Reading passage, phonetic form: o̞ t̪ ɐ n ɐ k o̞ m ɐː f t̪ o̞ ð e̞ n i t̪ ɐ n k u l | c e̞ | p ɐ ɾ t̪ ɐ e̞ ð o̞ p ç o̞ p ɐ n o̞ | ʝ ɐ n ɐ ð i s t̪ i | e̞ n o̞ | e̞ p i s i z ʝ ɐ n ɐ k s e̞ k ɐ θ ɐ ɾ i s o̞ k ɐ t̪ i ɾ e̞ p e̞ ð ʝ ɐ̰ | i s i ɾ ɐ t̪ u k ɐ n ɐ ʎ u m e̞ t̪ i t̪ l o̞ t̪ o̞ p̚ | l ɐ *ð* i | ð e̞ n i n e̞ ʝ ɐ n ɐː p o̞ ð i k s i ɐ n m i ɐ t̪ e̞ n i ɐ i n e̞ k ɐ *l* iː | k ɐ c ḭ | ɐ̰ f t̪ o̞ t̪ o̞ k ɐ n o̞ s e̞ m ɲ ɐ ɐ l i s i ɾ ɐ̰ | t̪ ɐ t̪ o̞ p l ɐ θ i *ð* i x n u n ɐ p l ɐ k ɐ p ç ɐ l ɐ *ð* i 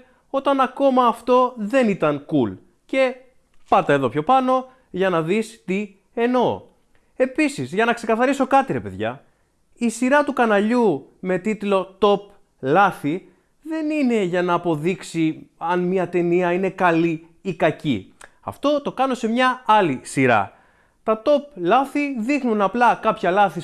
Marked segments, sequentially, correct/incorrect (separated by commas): incorrect, correct, correct, incorrect